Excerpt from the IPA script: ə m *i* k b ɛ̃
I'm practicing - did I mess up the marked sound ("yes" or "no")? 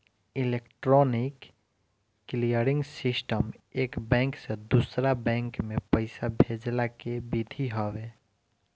yes